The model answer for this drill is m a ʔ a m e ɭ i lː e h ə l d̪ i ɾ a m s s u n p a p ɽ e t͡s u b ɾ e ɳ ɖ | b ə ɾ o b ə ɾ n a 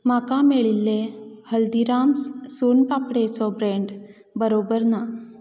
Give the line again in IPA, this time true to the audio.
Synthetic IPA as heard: m a k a m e ɭ i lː e h ə l d̪ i ɾ a m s s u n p a p ɽ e t͡s ɔ b ɾ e ɳ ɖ | b ə ɾ o b ə ɾ n a